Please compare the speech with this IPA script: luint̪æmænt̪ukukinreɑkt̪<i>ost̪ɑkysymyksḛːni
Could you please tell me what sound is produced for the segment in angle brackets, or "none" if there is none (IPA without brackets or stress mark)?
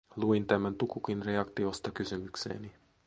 i